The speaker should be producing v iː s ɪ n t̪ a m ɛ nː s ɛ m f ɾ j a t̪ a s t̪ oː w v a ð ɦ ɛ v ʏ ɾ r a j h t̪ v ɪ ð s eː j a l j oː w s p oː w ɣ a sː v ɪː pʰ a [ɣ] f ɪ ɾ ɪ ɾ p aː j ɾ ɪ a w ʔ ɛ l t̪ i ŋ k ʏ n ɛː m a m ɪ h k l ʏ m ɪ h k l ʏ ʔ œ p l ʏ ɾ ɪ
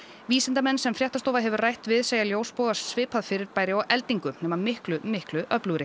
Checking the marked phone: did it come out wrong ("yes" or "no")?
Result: yes